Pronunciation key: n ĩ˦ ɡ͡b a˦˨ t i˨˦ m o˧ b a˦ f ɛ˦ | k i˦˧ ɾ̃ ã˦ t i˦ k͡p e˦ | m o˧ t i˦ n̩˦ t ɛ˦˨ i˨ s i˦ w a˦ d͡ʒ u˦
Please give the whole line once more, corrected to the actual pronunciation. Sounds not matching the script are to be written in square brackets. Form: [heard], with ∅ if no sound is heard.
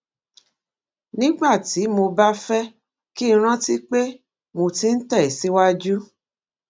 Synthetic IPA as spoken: n ĩ˦ ɡ͡b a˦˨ t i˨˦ m o˧ b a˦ f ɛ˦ | k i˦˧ ɾ̃ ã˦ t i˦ k͡p e˦ | m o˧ t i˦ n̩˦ t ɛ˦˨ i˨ s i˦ w a˦ d͡ʒ u˦